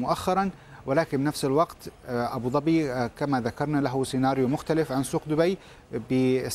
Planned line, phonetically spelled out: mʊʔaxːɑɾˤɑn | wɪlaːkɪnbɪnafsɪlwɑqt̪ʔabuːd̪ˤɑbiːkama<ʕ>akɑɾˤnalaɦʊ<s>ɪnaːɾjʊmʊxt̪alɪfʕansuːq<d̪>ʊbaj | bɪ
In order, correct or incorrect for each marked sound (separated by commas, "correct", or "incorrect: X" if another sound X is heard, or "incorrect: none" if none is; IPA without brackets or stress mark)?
incorrect: ð, correct, correct